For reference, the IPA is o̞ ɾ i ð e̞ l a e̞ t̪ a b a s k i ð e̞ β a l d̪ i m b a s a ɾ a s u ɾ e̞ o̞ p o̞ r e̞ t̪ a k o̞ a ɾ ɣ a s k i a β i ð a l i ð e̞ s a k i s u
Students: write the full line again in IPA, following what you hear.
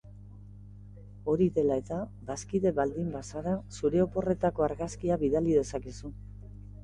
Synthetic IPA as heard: o̞ ɾ i ð e̞ l a e̞ t̪ a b a s k i ð e̞ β a l d̪ i m b a s a ɾ a s u ɾ e̞ o̞ p o̞ r e̞ t̪ a k o̞ a ɾ ɣ a s k i a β i ð a l i ð e̞ s a k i s u